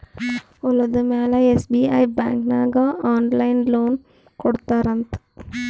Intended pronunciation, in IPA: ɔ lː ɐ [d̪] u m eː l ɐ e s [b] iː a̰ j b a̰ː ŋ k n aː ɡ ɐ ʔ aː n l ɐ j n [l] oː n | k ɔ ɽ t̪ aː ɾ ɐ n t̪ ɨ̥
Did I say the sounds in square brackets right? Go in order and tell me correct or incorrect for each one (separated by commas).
correct, correct, correct